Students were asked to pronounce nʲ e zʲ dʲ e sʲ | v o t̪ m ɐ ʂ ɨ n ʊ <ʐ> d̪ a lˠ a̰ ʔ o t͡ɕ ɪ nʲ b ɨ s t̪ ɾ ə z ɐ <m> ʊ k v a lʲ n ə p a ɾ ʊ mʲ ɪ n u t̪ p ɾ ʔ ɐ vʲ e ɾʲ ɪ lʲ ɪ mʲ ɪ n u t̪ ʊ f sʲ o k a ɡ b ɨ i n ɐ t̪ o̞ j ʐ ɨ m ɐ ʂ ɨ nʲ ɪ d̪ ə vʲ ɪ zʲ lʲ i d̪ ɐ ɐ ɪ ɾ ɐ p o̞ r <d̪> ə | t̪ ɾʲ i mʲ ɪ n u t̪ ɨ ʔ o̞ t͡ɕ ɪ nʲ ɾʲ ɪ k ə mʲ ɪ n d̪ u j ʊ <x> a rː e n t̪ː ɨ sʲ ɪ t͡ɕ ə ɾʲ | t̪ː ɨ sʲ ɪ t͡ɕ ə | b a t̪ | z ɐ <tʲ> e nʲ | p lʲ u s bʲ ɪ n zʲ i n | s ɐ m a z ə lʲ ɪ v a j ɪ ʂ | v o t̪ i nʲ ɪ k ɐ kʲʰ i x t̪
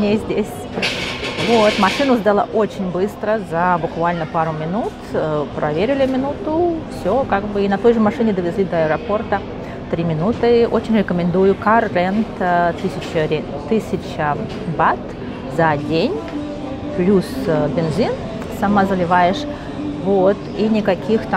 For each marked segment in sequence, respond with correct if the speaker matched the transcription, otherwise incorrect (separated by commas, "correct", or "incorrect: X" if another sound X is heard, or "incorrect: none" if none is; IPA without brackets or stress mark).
incorrect: z, incorrect: b, incorrect: t̪, incorrect: k, incorrect: dʲ